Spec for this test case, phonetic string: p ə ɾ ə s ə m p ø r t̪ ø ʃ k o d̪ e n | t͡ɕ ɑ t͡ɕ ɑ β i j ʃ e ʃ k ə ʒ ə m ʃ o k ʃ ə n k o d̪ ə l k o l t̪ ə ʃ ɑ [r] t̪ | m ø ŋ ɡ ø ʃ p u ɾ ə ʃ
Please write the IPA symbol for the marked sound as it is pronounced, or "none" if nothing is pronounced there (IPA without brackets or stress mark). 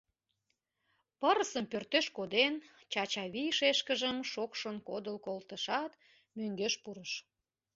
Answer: none